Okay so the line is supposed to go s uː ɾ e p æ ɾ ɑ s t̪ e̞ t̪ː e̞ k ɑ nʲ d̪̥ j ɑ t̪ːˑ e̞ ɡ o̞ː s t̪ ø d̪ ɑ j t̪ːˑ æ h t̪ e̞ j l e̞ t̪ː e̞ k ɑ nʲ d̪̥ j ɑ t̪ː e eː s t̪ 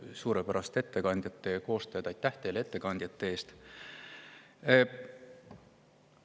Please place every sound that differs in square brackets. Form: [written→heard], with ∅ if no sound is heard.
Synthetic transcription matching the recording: s uː ɾ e p æ ɾ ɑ s t̪ e̞ t̪ː e̞ k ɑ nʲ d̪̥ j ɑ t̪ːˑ e̞ [ɡ→k] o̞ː s t̪ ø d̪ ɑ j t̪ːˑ æ h t̪ e̞ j l e̞ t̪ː e̞ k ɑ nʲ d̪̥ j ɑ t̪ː e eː s t̪